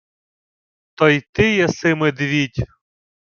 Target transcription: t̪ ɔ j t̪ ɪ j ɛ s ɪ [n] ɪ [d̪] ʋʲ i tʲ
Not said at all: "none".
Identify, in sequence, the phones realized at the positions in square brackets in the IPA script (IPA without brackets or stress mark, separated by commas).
m, d̪